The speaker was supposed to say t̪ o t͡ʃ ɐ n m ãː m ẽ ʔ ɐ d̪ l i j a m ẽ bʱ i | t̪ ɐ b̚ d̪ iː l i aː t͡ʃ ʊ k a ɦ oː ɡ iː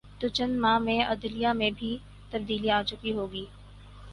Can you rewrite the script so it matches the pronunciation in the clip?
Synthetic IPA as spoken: t̪ o t͡ʃ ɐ n m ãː m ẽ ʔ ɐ d̪ l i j a m ẽ bʱ i | t̪ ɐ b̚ d̪ iː l i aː t͡ʃ ʊ k i ɦ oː ɡ iː